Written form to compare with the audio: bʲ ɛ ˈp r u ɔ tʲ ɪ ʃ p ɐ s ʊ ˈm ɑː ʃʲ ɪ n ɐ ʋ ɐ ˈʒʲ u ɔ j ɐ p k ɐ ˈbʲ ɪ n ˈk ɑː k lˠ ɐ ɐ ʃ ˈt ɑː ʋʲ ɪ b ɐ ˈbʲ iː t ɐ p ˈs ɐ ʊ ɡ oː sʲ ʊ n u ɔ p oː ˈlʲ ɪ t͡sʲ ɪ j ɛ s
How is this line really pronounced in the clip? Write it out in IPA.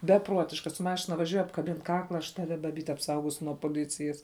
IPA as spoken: bʲ ɛ ˈp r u ɔ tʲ ɪ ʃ k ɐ s ʊ ˈm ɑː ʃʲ ɪ n ɐ ʋ ɐ ˈʒʲ u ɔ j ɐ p k ɐ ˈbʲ ɪ n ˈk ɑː k lˠ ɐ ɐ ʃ ˈt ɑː ʋʲ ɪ b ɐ ˈbʲ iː t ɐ p ˈs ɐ ʊ ɡ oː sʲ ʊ n u ɔ p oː ˈlʲ ɪ t͡sʲ ɪ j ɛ s